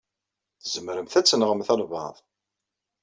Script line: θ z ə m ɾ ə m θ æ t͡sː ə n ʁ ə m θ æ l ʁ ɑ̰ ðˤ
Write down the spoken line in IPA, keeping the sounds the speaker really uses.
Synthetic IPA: θ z ə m ɾ ə m θ æ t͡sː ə n ʁ ə m θ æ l v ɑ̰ ðˤ